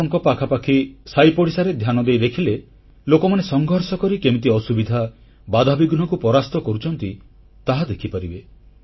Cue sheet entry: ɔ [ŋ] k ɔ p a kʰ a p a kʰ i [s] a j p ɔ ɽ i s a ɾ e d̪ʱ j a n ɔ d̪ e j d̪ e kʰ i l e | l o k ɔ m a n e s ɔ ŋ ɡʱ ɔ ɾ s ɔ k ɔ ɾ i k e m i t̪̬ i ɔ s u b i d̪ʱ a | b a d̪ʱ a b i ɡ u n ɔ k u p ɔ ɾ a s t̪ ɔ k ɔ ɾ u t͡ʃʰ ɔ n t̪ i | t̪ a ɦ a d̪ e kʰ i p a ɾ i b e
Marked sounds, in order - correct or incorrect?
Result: correct, correct

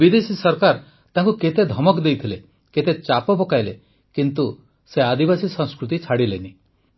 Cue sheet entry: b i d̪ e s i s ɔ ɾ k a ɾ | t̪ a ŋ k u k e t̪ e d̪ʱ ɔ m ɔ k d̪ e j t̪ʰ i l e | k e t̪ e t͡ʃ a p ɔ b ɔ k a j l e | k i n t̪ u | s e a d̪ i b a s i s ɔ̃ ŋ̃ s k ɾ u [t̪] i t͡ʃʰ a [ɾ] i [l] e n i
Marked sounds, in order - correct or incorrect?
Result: correct, incorrect: ɽ, correct

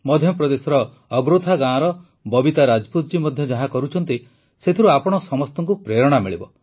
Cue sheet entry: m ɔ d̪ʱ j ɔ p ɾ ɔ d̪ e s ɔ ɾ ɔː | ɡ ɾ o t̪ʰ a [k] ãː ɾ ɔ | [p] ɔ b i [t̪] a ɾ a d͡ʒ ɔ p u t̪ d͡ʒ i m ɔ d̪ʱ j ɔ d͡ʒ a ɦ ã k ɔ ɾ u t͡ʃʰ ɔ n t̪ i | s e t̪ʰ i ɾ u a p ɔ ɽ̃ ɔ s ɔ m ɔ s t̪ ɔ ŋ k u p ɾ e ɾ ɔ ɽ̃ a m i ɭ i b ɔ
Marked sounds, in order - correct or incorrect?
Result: incorrect: ɡ, incorrect: b, correct

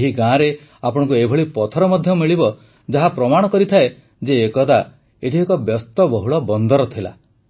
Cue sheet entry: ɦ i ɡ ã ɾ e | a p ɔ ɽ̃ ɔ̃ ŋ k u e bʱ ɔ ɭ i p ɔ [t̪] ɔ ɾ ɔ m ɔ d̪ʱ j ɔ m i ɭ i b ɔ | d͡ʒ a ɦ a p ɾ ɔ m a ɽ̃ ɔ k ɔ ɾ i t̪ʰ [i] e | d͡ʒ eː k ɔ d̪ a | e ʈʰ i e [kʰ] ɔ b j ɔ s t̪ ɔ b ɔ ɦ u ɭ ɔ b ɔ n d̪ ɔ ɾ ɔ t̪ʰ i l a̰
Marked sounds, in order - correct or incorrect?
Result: incorrect: t̪ʰ, incorrect: a, incorrect: k

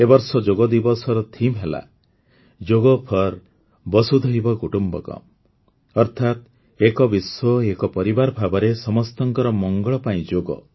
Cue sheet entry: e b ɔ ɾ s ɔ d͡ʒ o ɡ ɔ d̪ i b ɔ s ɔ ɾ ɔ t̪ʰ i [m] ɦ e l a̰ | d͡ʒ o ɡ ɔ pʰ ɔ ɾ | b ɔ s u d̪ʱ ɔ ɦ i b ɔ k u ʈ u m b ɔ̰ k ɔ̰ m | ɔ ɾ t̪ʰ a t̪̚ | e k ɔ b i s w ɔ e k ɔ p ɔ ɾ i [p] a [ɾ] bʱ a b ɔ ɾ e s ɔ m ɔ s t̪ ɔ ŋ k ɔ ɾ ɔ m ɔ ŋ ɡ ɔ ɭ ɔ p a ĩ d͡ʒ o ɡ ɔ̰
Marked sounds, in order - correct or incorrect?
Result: correct, incorrect: b, correct

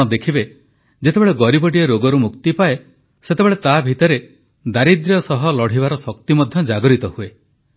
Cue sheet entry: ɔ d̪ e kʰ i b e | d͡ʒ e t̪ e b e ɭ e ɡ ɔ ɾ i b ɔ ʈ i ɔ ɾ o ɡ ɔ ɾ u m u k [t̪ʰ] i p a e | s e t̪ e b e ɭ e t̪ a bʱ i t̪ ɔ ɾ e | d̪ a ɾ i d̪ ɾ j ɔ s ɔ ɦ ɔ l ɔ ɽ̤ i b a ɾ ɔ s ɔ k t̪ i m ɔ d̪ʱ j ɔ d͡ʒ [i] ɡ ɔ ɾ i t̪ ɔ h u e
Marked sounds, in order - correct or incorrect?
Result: incorrect: t̪, incorrect: a

